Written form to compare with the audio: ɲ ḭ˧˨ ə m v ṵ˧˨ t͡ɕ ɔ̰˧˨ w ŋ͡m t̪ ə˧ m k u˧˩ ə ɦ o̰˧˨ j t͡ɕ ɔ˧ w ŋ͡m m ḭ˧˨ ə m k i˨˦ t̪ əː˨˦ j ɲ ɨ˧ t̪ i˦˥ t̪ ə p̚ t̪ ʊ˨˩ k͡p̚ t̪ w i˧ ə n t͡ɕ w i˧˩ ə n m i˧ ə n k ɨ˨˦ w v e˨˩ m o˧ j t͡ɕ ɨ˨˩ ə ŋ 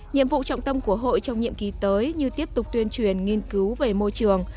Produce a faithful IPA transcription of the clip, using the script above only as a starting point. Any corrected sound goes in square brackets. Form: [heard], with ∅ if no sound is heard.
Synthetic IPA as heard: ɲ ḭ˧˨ ə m v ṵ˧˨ t͡ɕ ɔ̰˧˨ w ŋ͡m t̪ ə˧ m k u˧˩ ə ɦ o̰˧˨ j t͡ɕ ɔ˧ w ŋ͡m [ɲ] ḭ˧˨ ə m k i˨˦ t̪ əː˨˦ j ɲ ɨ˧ t̪ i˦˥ [∅] ə p̚ t̪ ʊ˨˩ k͡p̚ t̪ w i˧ ə n t͡ɕ w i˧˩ ə n [ŋ] i˧ ə n k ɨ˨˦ w v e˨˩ m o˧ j t͡ɕ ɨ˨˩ ə ŋ